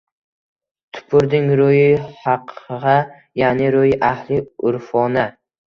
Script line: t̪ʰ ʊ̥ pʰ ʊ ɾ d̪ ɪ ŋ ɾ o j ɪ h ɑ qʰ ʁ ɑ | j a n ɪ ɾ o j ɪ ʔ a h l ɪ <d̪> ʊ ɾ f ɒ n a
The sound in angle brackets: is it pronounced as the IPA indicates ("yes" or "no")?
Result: no